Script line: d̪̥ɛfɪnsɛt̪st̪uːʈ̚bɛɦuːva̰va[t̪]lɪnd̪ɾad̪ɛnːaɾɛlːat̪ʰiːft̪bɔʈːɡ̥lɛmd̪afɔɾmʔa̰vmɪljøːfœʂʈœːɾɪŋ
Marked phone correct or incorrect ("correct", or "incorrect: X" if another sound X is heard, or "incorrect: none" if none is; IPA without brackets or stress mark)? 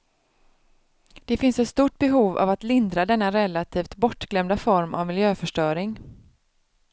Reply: correct